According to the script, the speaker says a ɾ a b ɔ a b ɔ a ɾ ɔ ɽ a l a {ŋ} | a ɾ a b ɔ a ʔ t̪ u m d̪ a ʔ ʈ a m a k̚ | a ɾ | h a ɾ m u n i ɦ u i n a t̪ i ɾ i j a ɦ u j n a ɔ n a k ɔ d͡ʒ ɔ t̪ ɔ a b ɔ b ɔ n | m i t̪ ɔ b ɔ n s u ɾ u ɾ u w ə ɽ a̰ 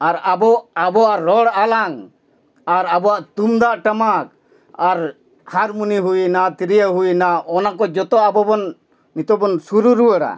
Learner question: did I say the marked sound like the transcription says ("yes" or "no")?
yes